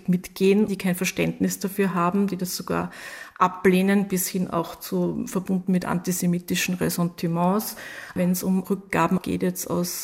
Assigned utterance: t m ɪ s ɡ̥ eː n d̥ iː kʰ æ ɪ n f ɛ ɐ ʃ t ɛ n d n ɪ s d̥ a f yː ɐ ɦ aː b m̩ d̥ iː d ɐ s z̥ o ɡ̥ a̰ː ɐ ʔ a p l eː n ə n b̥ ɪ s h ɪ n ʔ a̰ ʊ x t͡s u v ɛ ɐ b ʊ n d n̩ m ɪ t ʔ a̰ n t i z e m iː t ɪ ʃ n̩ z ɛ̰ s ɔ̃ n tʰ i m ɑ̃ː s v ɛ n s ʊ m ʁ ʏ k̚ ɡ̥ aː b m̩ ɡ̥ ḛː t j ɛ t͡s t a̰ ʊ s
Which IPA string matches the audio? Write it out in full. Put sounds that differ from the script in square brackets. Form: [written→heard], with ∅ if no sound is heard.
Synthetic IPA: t m ɪ [s→t] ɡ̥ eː n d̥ iː kʰ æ ɪ n f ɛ ɐ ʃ t ɛ n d n ɪ s d̥ a f yː ɐ ɦ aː b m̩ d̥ iː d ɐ s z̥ o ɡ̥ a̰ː ɐ ʔ a p l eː n ə n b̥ ɪ s h ɪ n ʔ a̰ ʊ x t͡s u [v→f] ɛ ɐ b ʊ n d n̩ m ɪ t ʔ a̰ n t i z e m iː t ɪ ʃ n̩ [z→ʁ] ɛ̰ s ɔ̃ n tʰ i m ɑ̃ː s v ɛ n s ʊ m ʁ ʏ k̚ ɡ̥ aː b m̩ ɡ̥ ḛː t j ɛ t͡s t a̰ ʊ s